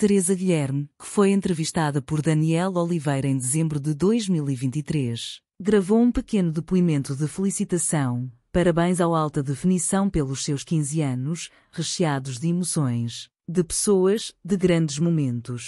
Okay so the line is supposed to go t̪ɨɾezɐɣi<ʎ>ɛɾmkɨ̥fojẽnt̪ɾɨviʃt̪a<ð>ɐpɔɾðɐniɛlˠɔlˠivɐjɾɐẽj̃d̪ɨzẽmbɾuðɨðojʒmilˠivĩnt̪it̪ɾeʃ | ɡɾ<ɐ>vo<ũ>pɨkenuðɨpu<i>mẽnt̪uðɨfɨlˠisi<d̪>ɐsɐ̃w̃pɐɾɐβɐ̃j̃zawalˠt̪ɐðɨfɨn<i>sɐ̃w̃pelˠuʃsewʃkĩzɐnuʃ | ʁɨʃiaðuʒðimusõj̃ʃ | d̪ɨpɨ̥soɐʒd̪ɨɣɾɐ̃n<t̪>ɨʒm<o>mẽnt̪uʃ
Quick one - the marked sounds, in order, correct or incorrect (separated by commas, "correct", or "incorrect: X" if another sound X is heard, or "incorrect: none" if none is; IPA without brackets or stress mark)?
correct, correct, correct, correct, correct, incorrect: t̪, correct, incorrect: d̪, incorrect: u